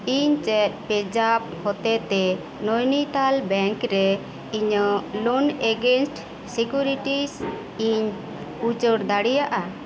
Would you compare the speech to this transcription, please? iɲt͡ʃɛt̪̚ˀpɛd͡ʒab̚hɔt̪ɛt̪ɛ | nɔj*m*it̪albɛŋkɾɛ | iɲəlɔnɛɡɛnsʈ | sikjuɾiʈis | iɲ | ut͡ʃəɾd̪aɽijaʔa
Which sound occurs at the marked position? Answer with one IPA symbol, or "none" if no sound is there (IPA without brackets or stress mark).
n